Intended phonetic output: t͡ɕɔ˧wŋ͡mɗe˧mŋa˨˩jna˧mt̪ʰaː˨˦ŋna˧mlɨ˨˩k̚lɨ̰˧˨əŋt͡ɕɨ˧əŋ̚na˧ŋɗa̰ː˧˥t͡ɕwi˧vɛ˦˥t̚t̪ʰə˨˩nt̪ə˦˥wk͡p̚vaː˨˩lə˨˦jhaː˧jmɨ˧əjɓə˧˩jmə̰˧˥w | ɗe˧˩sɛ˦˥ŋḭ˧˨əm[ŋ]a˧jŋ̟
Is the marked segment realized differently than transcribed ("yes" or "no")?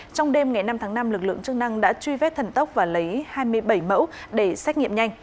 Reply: yes